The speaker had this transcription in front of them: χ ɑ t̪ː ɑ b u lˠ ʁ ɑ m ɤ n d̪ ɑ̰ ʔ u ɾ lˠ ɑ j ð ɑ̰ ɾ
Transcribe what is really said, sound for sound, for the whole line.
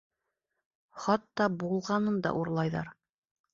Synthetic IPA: χ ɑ t̪ː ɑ b u lˠ ʁ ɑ n ɤ n d̪ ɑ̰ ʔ u ɾ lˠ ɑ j ð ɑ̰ ɾ